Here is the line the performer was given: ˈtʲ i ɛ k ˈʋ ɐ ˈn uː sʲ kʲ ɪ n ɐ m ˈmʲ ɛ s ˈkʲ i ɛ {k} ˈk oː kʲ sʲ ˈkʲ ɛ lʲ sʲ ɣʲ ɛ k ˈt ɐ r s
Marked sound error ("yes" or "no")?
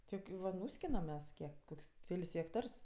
no